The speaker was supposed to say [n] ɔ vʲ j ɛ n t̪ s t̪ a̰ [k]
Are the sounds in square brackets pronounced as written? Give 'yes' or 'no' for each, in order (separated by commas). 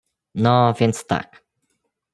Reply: yes, yes